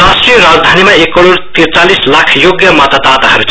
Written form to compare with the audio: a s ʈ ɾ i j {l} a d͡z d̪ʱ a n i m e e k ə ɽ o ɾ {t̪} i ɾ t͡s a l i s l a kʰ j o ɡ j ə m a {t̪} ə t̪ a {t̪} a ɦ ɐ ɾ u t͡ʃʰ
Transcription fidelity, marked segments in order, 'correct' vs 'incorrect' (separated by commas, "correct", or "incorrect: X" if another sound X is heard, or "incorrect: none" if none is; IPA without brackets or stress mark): incorrect: ɾ, correct, correct, correct